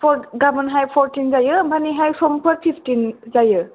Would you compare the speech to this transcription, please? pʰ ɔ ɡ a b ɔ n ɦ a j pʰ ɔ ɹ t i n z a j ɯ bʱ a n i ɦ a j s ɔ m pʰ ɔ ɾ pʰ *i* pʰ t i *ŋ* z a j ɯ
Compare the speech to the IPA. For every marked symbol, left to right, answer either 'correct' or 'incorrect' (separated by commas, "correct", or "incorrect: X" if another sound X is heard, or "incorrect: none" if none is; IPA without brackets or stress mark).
correct, incorrect: n